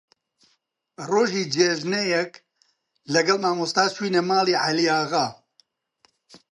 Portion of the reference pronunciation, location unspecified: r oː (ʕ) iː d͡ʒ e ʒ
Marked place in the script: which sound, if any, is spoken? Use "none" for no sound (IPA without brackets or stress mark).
ʒ